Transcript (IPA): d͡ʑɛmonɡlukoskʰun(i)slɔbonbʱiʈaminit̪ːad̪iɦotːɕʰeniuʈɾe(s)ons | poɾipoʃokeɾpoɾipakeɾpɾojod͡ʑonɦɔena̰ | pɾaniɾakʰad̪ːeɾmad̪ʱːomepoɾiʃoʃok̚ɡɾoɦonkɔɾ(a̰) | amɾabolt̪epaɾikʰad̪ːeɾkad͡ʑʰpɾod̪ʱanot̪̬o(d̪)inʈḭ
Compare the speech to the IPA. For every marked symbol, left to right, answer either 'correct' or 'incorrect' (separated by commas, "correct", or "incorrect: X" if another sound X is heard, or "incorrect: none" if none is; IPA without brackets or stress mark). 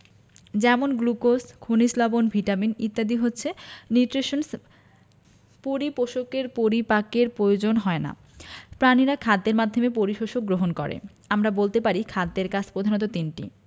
correct, incorrect: ʃ, incorrect: ḛ, incorrect: t̪